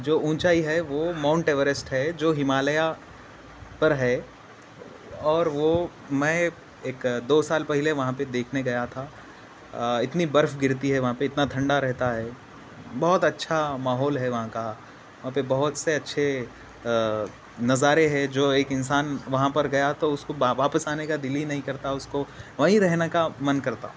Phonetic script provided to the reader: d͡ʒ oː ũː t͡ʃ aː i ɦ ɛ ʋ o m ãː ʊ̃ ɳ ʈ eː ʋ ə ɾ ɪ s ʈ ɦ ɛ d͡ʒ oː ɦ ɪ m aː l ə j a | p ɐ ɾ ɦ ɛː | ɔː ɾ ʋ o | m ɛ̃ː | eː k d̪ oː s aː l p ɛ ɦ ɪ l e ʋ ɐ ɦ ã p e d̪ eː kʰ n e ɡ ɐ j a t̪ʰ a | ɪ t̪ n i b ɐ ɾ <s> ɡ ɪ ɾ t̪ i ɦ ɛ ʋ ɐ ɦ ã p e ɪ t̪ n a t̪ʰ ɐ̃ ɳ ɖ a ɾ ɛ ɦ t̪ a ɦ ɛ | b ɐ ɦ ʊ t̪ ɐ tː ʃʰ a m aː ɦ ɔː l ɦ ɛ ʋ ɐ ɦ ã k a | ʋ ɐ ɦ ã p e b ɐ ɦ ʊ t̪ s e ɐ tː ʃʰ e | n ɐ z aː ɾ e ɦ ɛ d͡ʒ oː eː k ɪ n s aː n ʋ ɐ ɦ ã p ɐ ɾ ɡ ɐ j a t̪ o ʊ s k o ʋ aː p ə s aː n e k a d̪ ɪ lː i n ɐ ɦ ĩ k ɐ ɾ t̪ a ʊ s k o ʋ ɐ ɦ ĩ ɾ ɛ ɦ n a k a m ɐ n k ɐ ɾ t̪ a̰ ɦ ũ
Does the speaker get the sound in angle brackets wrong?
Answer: yes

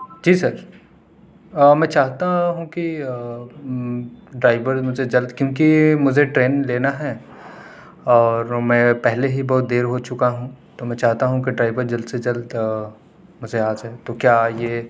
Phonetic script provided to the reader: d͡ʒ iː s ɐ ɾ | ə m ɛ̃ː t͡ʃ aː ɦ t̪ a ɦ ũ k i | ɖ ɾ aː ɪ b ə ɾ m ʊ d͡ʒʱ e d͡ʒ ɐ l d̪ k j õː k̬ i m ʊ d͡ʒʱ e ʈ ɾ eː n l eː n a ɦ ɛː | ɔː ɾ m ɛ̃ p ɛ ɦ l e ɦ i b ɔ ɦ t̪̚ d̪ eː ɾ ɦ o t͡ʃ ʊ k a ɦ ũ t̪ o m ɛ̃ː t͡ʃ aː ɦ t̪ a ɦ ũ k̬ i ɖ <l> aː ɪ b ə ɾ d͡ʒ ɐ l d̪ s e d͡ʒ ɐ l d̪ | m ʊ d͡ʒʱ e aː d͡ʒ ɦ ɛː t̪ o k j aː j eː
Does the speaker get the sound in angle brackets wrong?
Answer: yes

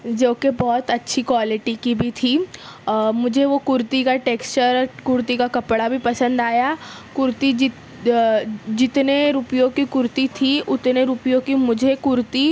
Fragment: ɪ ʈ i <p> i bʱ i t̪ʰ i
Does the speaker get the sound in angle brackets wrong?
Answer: yes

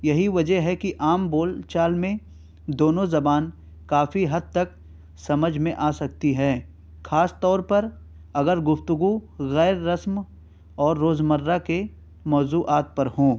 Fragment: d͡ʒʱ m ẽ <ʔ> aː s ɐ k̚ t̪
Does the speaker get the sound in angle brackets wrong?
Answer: no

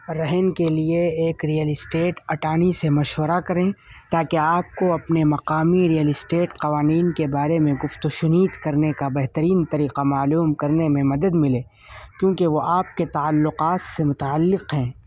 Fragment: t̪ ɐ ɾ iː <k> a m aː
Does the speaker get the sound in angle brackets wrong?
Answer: yes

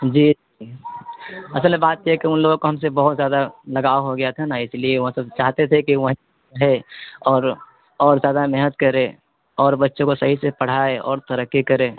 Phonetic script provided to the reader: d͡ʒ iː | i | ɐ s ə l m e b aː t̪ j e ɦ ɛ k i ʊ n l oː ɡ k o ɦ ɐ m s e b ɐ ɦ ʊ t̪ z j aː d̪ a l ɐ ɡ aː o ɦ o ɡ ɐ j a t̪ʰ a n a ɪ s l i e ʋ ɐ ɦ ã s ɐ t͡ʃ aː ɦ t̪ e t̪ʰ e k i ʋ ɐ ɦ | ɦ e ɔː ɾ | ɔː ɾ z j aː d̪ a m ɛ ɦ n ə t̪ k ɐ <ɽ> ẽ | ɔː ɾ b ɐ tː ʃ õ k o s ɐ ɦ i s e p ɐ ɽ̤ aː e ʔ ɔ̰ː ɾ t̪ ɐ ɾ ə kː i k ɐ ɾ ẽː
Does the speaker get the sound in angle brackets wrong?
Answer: yes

